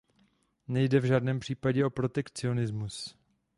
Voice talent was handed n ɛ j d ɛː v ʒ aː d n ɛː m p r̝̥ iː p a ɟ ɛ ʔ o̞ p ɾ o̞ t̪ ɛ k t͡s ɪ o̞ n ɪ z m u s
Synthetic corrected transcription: n ɛ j d ɛ v ʒ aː d n ɛː m p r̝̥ iː p a ɟ ɛ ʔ o̞ p ɾ o̞ t̪ ɛ k t͡s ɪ o̞ n ɪ z m u s